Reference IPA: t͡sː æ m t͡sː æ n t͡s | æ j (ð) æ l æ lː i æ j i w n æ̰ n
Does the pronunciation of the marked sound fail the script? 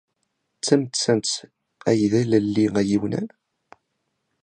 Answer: no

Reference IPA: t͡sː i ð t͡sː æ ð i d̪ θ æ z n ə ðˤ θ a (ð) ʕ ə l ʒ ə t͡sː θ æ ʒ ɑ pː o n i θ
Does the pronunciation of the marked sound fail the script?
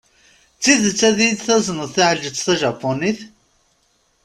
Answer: yes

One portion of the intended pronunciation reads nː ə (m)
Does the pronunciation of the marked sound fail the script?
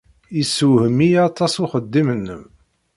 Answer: no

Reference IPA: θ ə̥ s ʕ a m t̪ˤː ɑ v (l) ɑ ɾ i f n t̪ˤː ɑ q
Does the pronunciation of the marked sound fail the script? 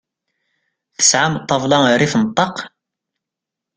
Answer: no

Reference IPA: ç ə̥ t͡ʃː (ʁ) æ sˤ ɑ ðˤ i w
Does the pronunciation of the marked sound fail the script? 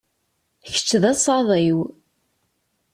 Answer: yes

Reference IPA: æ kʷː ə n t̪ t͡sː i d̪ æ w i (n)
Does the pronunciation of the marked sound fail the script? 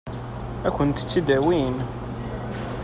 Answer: no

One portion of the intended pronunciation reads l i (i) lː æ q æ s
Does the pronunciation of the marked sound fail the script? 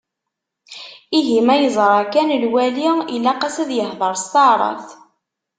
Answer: no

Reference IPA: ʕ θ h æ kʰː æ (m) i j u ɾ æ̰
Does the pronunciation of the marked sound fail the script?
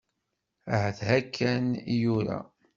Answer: yes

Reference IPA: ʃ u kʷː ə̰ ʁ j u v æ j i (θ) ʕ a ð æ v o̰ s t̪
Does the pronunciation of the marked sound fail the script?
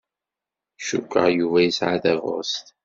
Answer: yes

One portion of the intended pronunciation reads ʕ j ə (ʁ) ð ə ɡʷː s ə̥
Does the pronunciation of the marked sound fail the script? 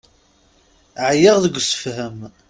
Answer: no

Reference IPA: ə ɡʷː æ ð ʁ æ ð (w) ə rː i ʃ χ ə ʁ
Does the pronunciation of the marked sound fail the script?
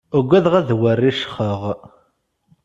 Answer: no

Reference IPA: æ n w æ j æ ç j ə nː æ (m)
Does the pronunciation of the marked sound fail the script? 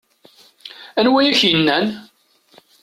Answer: yes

